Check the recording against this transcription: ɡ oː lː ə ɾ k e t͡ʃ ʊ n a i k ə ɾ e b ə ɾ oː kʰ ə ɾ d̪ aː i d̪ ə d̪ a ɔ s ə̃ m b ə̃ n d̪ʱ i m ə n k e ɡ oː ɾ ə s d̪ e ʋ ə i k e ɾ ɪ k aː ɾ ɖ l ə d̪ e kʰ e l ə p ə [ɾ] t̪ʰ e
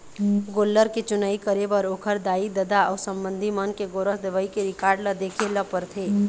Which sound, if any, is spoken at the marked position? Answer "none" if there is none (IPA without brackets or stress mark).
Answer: ɾ